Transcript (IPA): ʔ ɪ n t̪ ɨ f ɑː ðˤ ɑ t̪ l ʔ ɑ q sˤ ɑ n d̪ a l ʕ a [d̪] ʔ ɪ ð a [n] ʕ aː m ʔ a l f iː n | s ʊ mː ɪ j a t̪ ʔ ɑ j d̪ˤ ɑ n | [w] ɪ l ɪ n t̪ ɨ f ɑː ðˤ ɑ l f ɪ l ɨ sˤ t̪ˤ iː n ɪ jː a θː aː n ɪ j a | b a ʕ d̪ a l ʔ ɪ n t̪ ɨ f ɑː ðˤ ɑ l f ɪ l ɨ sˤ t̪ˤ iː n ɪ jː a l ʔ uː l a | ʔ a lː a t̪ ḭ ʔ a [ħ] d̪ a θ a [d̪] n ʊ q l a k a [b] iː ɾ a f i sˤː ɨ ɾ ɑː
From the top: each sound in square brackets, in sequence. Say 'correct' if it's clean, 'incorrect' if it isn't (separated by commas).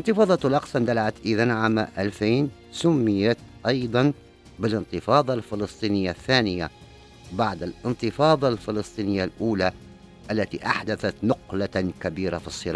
incorrect, correct, incorrect, correct, incorrect, correct